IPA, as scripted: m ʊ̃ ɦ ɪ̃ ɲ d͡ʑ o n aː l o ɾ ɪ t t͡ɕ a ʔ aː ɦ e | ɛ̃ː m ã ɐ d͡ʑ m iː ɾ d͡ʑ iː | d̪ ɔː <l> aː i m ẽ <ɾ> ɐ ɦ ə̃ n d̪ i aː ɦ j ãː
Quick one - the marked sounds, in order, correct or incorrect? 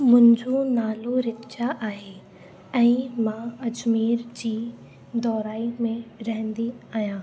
incorrect: ɾ, correct

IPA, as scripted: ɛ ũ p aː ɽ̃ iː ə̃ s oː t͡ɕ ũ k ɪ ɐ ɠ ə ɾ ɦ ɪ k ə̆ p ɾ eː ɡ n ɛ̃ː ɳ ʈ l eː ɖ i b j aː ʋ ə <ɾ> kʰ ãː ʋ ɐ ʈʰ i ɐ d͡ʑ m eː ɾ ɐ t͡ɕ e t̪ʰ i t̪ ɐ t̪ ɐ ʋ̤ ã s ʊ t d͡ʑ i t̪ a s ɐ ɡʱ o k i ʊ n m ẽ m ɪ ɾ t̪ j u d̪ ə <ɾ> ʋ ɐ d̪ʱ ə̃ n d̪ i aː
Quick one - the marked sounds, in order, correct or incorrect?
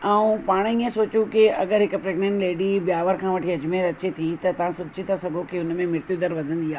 correct, correct

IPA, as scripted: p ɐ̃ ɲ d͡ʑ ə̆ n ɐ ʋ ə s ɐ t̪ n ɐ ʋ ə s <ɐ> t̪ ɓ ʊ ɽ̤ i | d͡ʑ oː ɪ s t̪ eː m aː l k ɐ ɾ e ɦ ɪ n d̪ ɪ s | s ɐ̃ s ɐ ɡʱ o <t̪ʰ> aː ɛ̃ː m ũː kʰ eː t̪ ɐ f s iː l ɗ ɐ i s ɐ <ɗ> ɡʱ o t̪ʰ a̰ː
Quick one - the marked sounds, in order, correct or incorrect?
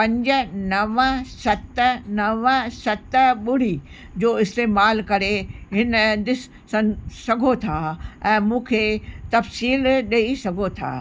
correct, correct, incorrect: none

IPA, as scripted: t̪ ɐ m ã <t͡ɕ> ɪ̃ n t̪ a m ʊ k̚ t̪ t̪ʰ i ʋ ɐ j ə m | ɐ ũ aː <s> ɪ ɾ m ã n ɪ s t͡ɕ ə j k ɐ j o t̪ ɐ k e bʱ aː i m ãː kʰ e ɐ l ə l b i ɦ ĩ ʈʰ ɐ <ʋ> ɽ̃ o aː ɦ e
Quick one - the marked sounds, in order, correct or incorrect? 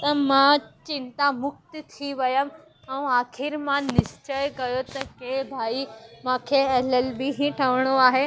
correct, incorrect: x, correct

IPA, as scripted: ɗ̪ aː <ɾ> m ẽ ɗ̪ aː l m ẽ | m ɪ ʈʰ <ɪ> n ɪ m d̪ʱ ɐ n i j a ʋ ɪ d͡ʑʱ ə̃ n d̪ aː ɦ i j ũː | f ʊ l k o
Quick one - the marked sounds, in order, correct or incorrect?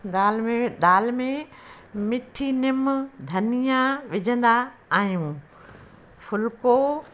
incorrect: l, incorrect: i

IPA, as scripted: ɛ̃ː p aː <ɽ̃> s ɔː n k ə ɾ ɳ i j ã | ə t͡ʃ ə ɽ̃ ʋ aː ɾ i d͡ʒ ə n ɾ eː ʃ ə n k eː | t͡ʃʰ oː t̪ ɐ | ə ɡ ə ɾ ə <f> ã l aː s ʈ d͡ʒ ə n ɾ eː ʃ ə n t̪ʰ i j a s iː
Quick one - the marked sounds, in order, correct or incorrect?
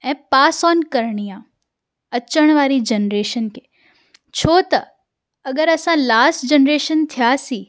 incorrect: none, incorrect: s

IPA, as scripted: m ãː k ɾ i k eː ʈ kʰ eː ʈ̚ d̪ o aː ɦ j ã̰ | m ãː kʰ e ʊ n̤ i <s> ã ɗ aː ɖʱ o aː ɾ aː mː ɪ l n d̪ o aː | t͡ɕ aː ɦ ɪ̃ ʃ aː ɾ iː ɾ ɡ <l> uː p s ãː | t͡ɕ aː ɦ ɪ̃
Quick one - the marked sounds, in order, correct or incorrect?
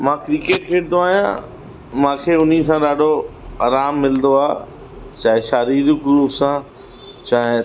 correct, incorrect: ɾ

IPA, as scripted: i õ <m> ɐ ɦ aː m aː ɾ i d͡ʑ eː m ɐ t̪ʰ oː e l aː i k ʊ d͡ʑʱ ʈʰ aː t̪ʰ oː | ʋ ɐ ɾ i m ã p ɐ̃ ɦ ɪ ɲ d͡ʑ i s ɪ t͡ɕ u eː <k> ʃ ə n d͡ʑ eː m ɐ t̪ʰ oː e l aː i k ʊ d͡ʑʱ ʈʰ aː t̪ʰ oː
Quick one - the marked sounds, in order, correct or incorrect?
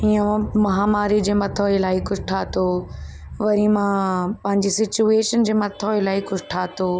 correct, incorrect: none

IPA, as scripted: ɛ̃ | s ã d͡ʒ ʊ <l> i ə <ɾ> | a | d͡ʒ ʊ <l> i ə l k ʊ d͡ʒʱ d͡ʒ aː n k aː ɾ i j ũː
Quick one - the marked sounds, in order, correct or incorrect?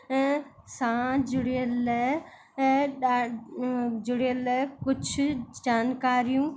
incorrect: ɽ, incorrect: l, incorrect: ɽ

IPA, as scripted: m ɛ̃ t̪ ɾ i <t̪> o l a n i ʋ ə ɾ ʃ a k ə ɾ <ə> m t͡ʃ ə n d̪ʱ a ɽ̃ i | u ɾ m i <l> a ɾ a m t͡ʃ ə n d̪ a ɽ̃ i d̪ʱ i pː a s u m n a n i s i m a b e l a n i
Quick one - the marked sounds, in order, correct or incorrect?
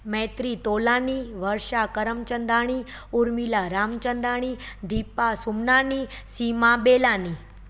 correct, correct, correct

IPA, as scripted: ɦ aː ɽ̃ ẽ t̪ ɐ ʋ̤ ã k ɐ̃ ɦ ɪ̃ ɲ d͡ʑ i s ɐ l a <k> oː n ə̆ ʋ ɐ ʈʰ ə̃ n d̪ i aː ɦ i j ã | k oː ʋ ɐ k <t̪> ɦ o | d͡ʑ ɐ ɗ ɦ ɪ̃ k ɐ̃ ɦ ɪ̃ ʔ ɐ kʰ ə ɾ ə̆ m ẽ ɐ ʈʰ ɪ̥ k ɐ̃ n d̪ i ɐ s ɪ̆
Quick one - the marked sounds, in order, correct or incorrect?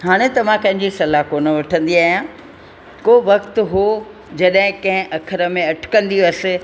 correct, correct

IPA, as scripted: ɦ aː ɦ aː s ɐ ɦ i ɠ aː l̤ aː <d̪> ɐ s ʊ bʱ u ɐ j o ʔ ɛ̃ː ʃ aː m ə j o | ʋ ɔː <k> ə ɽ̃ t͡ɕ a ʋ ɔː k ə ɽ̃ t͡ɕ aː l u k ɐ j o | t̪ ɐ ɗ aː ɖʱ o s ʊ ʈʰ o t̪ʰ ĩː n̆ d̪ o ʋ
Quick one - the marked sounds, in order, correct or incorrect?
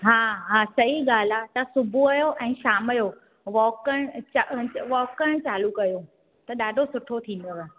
incorrect: t̪, correct

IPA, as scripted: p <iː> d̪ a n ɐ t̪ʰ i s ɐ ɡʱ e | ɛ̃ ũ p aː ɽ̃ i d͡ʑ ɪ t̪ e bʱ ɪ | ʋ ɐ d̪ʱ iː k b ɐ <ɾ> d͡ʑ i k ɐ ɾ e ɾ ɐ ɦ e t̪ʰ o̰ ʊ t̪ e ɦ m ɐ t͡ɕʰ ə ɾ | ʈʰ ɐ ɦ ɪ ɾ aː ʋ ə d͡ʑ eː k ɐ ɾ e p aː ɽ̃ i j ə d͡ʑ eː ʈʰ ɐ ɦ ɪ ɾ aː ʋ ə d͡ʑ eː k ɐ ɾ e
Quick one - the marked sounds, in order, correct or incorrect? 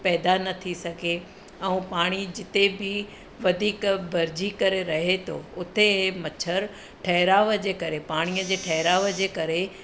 incorrect: ɛː, correct

